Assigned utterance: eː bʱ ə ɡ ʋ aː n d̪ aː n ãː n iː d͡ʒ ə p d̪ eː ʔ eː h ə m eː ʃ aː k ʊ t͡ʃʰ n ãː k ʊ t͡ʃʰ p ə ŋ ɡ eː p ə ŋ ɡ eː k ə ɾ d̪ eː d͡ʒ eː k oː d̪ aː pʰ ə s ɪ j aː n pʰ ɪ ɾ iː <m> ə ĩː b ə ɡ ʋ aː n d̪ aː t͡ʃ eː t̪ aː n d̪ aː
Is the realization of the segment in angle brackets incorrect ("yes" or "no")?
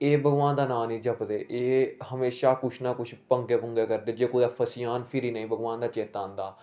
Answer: yes